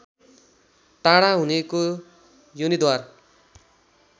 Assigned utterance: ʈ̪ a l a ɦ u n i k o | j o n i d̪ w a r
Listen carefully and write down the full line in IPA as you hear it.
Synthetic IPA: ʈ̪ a ɽ a ɦ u n e k o | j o n i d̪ w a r